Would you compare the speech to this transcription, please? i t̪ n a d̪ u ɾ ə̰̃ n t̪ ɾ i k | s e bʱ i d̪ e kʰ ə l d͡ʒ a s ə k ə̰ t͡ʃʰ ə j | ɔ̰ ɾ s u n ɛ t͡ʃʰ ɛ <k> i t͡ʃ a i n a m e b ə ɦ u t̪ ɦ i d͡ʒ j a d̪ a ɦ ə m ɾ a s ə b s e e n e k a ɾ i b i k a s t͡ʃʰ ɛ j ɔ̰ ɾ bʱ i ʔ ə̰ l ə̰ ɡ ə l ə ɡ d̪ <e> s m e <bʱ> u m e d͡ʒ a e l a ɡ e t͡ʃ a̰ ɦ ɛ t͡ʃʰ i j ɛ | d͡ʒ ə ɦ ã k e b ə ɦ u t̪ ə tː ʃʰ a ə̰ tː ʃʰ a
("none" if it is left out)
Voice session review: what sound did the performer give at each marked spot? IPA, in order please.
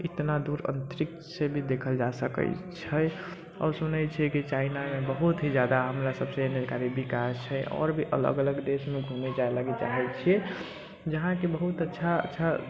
k, e, ɡʱ

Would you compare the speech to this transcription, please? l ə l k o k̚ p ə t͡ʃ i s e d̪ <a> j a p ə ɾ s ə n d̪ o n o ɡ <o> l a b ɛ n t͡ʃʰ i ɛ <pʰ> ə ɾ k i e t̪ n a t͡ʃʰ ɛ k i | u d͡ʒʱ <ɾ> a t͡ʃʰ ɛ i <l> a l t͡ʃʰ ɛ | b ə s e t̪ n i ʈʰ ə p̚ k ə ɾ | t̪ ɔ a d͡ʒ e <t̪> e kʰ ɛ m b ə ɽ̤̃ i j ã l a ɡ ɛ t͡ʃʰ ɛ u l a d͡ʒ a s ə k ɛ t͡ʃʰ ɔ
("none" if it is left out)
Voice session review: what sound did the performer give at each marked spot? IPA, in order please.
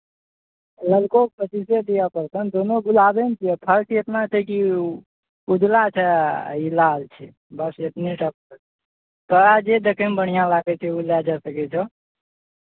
i, u, pʰ, l, l, d̪

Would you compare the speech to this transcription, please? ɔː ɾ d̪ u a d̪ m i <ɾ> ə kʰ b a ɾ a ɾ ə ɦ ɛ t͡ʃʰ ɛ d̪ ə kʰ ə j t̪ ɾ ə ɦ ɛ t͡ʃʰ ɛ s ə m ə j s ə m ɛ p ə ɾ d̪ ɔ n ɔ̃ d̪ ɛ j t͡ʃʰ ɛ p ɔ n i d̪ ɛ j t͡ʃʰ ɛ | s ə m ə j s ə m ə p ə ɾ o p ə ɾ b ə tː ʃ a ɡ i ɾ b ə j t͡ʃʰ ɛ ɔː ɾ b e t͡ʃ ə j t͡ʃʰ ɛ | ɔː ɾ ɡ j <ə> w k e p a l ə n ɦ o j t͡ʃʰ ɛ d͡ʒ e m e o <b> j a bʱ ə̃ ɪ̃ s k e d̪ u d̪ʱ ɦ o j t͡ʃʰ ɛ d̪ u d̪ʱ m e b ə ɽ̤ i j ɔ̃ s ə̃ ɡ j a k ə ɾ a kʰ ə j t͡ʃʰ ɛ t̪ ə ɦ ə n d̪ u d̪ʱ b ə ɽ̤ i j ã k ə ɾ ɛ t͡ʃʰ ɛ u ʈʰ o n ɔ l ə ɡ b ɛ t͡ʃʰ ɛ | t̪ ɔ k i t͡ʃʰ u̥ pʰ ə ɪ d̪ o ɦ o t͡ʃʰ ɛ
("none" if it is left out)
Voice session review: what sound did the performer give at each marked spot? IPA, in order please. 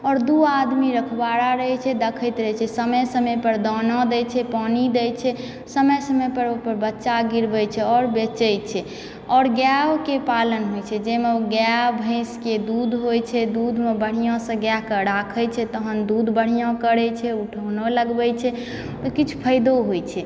ɾ, a, ɡ

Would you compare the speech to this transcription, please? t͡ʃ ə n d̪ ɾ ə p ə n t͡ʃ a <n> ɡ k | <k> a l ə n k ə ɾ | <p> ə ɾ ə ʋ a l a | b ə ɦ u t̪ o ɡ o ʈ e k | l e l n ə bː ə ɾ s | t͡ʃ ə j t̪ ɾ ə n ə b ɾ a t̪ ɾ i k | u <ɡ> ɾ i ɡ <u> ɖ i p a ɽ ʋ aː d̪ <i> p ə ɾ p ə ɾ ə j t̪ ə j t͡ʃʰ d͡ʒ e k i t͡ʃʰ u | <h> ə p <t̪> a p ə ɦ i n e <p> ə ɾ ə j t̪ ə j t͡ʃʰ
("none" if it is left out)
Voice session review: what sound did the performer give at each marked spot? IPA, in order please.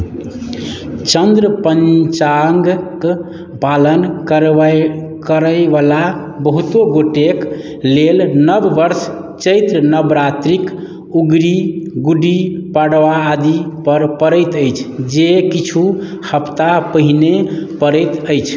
ŋ, p, k, ɡ, u, i, h, t̪, p

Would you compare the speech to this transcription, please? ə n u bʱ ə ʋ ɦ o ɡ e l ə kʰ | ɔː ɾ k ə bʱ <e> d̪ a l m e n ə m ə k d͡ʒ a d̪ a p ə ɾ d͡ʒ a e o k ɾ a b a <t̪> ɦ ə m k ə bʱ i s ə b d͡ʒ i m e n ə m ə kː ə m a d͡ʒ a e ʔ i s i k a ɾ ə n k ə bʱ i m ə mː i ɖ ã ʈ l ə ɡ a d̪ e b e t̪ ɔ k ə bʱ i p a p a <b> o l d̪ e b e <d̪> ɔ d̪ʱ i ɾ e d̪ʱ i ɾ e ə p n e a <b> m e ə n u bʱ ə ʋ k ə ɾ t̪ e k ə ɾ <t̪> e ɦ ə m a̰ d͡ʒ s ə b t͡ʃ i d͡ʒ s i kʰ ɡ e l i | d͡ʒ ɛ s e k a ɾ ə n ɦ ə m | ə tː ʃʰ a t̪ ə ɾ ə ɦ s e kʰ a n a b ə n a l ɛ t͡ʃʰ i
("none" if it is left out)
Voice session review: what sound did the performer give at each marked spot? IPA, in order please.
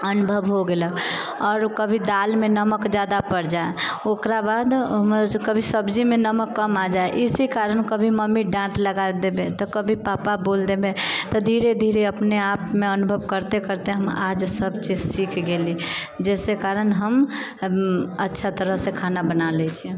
i, d̪, b, t̪, p, t̪

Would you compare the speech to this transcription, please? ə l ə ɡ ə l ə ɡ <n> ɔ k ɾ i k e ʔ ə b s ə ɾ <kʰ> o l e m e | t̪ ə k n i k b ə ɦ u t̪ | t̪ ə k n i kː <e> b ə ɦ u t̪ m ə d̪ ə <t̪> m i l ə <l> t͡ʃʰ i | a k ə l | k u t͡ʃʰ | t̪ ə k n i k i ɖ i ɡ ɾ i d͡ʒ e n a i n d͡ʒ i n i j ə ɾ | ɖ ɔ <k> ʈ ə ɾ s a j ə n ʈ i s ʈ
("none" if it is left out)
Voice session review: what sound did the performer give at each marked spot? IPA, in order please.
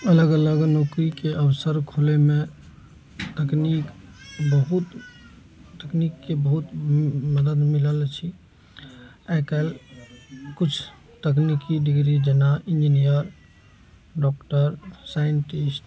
n, kʰ, e, d̪, l, k

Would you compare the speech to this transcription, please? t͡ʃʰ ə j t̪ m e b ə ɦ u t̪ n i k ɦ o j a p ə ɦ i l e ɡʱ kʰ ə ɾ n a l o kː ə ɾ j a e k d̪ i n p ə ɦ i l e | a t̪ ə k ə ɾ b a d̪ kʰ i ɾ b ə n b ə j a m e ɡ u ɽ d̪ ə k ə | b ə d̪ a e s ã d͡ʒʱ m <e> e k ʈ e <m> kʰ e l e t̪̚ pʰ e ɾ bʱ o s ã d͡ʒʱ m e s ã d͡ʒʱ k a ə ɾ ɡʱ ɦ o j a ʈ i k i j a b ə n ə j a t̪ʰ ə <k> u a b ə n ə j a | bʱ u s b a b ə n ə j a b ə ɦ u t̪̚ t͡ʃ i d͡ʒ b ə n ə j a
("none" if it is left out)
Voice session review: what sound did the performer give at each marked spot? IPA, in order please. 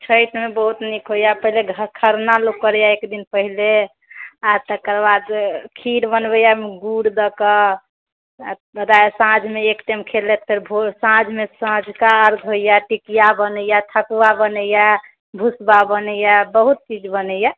e, m, k

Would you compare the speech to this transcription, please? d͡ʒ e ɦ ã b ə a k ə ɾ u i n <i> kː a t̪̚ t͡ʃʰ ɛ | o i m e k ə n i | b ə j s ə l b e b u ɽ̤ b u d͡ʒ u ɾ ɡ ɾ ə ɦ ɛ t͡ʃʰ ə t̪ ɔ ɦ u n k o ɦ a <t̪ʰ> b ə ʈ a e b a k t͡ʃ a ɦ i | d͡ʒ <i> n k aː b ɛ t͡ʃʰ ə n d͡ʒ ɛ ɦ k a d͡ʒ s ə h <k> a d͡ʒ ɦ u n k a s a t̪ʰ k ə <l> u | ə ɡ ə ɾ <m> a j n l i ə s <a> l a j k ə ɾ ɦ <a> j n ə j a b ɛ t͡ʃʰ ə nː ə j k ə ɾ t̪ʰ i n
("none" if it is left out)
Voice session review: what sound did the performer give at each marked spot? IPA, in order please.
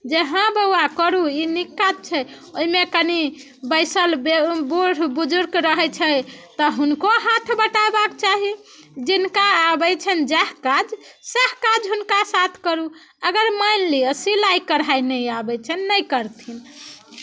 i, t̪ʰ, i, k, ɾ, m, i, a

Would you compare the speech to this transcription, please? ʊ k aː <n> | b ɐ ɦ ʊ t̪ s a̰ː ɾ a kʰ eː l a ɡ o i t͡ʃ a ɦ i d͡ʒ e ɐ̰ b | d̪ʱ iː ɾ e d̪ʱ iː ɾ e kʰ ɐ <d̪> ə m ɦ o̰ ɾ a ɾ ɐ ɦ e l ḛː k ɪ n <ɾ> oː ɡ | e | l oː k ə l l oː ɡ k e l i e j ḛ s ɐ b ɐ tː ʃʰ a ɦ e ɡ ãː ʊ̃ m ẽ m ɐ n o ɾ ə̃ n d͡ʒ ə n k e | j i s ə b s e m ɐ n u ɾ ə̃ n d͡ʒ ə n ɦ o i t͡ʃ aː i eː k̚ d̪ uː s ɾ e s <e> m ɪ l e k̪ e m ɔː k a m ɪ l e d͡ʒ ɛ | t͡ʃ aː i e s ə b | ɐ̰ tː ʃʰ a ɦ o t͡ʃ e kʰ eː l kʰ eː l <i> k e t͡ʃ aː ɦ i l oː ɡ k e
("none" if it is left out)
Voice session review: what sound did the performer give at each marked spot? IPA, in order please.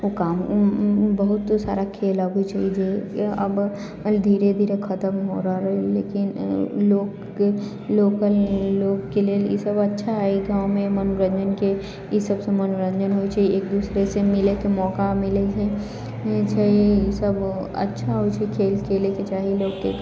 m, t̪, l, e, e

